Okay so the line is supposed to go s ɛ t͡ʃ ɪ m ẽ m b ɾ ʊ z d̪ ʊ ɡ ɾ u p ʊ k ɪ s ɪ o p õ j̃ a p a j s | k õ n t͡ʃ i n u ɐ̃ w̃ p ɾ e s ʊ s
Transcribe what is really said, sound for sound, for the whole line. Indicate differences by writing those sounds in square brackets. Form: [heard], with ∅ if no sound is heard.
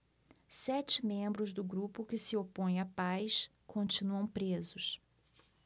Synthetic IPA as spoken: s ɛ t͡ʃ ɪ m ẽ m b ɾ ʊ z d̪ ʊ ɡ ɾ u p ʊ k ɪ s ɪ o p õ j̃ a p a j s | k õ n t͡ʃ i n u ɐ̃ w̃ p ɾ e [z] ʊ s

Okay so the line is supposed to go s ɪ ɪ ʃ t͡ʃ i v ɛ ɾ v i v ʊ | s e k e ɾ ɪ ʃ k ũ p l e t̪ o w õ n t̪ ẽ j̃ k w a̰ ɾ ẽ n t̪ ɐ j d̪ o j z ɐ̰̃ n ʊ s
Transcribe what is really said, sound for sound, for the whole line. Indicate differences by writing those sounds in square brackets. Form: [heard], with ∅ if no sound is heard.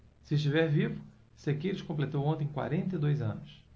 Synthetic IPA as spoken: s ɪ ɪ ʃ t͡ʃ i v ɛ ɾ v i v ʊ | s e k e ɾ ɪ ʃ k [õ] p l e t̪ o w õ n t̪ ẽ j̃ k w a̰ ɾ ẽ n t̪ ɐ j d̪ o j z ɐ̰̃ n ʊ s

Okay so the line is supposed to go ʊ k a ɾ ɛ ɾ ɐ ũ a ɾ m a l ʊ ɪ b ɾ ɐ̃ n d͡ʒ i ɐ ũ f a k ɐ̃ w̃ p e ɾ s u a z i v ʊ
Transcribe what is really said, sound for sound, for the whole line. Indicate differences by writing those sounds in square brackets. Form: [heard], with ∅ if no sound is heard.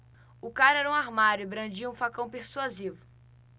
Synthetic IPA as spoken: ʊ k a ɾ ɛ ɾ ɐ ũ a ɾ m a [ɾ] ʊ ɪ b ɾ ɐ̃ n d͡ʒ i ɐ ũ f a k ɐ̃ w̃ p e ɾ s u a z i v ʊ

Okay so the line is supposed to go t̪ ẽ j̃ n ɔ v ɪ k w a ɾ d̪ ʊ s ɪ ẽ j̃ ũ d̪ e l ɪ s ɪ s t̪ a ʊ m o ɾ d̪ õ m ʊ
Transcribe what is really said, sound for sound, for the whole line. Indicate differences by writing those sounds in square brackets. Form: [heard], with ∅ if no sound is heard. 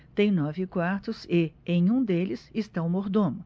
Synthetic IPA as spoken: t̪ ẽ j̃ n ɔ v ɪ k w a ɾ [t̪] ʊ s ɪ ẽ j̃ ũ d̪ e l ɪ s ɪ s t̪ a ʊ m o ɾ d̪ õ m ʊ

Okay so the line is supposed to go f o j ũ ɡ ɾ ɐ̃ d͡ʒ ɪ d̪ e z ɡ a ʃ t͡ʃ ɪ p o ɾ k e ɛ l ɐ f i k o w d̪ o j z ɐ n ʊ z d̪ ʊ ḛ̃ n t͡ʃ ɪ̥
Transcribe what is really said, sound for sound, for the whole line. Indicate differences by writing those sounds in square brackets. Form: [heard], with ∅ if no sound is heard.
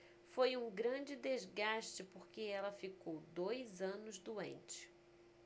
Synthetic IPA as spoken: f o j ũ ɡ ɾ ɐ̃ d͡ʒ ɪ d̪ e z ɡ a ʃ t͡ʃ ɪ p o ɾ k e ɛ l ɐ f i k o w d̪ o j z [ɐ̃] n ʊ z d̪ [u] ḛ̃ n t͡ʃ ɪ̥

